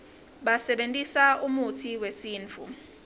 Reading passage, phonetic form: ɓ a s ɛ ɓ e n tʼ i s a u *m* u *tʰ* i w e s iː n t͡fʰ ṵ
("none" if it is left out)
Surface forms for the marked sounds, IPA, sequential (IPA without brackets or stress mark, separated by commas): m, tʰ